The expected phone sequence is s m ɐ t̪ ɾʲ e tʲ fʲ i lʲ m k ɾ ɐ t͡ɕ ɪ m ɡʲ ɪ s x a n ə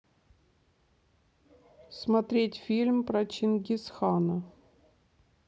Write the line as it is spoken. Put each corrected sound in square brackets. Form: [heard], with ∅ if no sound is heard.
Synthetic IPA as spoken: s m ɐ t̪ ɾʲ e tʲ fʲ i lʲ m [p] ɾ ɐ t͡ɕ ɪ [n] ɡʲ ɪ s x a n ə